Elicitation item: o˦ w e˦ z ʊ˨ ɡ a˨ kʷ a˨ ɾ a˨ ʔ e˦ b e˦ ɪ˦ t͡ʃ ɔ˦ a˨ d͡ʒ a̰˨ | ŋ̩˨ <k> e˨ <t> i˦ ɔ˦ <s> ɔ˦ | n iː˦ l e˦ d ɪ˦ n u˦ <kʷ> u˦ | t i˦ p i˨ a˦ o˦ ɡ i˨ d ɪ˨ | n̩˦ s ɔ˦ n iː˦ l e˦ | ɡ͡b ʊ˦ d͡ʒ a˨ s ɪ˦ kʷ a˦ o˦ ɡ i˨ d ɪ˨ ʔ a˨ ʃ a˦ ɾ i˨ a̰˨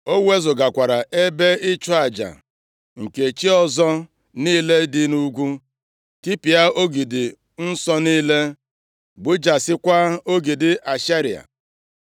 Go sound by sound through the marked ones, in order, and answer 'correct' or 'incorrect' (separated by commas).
correct, incorrect, incorrect, incorrect